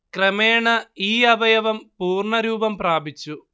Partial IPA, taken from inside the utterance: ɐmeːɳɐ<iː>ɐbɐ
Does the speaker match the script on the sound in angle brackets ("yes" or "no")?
yes